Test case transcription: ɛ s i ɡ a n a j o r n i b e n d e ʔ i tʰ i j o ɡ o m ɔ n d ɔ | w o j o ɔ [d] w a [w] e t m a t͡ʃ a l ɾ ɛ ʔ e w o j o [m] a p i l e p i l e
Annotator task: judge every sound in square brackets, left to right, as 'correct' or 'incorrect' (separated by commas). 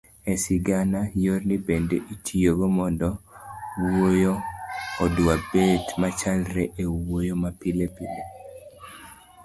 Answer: correct, incorrect, correct